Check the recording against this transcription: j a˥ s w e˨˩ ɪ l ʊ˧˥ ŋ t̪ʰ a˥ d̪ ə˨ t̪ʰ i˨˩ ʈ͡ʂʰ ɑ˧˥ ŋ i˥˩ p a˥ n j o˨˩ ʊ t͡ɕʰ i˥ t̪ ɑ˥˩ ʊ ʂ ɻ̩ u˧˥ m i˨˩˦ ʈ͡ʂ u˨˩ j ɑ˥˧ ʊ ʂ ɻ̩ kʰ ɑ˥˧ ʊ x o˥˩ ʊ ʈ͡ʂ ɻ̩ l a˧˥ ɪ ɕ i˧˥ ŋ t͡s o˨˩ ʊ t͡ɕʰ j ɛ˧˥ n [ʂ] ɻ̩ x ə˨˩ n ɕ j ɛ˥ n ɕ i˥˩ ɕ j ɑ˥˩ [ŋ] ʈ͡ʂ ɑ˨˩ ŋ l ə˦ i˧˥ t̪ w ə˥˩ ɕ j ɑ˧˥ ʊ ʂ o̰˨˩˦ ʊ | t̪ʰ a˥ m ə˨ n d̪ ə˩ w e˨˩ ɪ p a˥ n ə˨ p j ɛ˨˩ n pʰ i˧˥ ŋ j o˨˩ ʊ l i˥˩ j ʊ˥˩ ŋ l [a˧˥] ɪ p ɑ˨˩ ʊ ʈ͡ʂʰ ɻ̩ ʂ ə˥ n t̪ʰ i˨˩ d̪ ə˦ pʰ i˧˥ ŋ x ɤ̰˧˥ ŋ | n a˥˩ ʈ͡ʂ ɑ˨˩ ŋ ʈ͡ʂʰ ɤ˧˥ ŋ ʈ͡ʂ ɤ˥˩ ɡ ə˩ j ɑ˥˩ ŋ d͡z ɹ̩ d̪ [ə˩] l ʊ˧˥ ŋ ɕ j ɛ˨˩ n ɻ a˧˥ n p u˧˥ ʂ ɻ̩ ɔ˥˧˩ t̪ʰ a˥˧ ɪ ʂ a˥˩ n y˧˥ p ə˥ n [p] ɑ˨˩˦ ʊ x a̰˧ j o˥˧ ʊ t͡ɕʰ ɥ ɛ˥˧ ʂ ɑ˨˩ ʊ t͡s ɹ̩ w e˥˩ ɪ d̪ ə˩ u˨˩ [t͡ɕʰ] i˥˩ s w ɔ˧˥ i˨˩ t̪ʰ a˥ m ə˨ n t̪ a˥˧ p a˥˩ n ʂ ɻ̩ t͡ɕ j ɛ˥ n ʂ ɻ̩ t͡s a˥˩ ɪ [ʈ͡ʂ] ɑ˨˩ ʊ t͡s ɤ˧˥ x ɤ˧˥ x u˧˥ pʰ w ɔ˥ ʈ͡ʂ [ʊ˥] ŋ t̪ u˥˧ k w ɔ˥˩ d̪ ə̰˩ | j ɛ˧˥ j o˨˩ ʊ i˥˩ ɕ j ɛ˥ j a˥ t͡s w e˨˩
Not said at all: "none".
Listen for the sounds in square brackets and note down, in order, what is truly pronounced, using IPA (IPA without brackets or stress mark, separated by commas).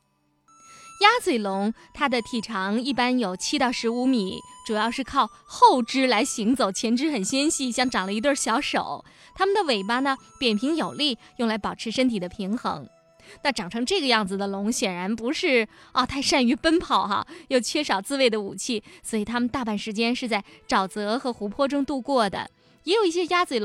ʈ͡ʂ, ŋ, a˧˥, ə˩, pʰ, t͡ɕʰ, ʈ͡ʂ, ʊ˥